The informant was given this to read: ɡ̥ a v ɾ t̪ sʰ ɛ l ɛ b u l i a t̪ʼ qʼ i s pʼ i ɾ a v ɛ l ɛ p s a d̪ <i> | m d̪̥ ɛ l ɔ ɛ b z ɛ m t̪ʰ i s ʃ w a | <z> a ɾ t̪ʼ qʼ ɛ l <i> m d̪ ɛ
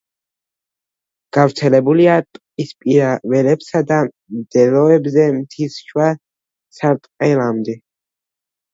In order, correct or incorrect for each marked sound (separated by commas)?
incorrect, incorrect, incorrect